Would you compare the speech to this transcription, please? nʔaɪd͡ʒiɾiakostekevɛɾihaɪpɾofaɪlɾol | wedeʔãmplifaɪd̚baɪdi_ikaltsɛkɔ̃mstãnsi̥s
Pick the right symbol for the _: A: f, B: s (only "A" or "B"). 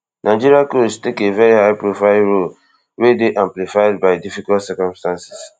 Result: A